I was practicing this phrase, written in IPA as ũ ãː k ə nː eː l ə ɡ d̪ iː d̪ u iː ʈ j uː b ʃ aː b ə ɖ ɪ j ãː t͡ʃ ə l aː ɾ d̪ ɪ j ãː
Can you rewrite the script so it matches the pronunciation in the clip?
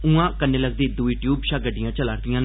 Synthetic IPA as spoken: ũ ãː k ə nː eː l ə ɡ d̪ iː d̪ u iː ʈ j uː b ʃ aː ɡ ə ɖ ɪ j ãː t͡ʃ ə l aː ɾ d̪ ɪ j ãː